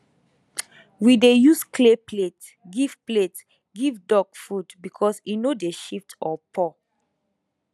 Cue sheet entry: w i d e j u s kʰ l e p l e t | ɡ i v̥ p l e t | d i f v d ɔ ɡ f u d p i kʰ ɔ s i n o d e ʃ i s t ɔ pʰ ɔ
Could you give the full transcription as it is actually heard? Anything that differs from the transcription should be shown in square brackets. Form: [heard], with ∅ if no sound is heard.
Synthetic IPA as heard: w i d e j u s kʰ l e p l e t | ɡ i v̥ p l e t | [ɡ] i [∅] v d ɔ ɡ f u d [b] i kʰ ɔ s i n o d e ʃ i [f] t ɔ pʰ ɔ